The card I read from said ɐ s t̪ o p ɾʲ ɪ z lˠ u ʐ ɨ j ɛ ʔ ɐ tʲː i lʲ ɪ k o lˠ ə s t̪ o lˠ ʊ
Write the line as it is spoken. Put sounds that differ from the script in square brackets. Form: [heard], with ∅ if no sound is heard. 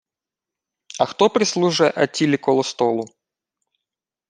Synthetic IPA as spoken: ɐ [x] t̪ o p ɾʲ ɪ [s] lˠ u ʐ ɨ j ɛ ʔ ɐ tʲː i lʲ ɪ k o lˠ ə s t̪ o lˠ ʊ